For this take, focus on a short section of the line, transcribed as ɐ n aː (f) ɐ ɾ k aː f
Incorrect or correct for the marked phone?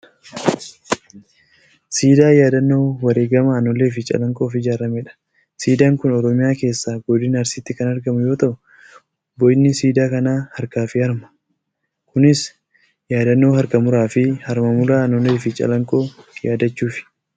incorrect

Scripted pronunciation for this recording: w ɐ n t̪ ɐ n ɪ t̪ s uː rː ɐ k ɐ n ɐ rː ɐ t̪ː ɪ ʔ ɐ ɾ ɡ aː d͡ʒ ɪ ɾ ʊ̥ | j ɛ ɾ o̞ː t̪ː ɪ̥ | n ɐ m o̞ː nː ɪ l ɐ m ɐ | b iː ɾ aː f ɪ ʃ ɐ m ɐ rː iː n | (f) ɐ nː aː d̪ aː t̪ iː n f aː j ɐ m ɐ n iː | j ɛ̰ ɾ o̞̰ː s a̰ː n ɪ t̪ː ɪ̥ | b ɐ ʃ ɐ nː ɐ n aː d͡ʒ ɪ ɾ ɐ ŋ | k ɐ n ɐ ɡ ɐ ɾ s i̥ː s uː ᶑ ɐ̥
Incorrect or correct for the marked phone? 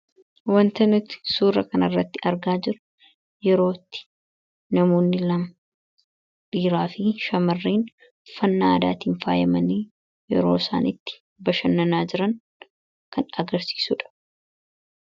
correct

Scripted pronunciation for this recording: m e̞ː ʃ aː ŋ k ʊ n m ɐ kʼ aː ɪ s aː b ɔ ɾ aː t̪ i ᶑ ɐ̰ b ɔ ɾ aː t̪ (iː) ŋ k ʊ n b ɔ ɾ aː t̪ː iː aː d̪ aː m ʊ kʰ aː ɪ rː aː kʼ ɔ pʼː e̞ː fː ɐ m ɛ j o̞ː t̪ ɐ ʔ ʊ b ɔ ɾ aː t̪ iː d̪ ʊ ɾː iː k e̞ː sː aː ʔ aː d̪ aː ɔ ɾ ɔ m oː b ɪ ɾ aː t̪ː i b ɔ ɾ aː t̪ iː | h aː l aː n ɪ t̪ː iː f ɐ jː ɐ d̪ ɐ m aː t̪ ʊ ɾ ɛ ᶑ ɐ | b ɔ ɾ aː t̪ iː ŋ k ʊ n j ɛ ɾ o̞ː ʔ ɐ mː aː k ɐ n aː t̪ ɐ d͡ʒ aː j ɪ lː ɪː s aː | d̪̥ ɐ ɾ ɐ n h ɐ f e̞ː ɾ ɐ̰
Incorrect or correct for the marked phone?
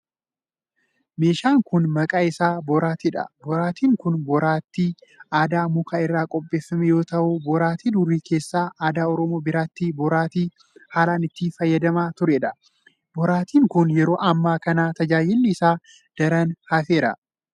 correct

